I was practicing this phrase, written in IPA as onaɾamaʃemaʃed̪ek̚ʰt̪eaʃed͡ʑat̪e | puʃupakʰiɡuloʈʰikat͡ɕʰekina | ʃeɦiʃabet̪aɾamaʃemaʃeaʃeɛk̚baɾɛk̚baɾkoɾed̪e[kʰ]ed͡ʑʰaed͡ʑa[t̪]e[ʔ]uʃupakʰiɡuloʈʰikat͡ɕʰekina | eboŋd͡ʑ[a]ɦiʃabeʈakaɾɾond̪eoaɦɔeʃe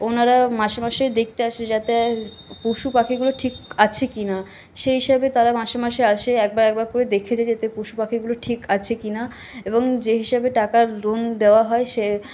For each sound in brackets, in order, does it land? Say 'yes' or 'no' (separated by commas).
yes, yes, no, no